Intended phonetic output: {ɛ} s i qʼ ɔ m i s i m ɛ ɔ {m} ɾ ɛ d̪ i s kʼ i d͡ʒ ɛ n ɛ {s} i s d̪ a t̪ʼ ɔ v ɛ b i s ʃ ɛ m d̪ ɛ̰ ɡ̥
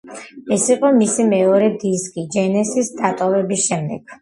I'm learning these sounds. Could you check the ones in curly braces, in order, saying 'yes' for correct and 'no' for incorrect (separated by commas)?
yes, no, yes